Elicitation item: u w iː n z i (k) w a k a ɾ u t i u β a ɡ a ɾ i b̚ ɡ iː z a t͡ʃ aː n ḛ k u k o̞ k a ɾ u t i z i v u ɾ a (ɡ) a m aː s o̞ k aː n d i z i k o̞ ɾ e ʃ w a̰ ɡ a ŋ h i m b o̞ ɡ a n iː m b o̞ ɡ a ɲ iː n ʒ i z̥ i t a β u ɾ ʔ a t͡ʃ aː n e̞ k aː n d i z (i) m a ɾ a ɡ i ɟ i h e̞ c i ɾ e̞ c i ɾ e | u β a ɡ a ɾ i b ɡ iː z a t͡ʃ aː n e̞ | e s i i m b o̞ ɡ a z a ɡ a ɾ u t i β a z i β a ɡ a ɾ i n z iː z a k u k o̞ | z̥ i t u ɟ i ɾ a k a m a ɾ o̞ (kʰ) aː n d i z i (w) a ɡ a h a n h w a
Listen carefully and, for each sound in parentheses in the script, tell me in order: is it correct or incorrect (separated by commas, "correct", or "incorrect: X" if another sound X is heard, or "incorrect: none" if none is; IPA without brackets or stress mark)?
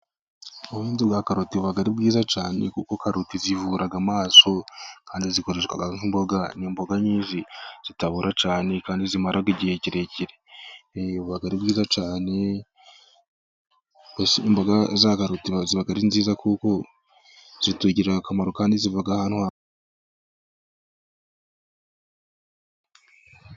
incorrect: ɡ, correct, correct, incorrect: k, incorrect: v